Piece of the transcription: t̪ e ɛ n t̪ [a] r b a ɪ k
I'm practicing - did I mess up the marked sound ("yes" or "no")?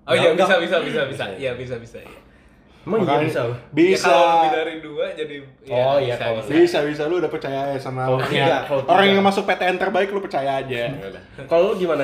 yes